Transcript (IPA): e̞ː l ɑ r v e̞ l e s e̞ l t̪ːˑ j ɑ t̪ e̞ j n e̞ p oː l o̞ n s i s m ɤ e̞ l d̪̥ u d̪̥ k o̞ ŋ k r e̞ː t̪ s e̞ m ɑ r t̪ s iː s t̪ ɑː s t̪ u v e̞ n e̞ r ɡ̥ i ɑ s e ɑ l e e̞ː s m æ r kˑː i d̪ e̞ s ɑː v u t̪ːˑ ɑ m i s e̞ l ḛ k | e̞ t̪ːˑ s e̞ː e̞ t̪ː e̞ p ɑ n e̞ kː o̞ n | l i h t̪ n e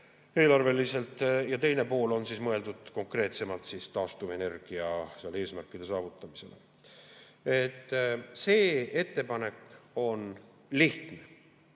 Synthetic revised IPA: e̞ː l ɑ r v e̞ l i s e̞ l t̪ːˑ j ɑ t̪ e̞ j n e̞ p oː l o̞ n s i s m ɤ e̞ l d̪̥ u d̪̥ k o̞ ŋ k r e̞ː t̪ s e̞ m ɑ l t̪ s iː s t̪ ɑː s t̪ u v e̞ n e̞ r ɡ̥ i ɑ s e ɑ l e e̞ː s m æ r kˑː i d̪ e̞ s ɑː v u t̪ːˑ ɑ m i s e̞ l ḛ | e̞ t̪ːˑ s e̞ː e̞ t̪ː e̞ p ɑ n e̞ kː o̞ n | l i h t̪ n e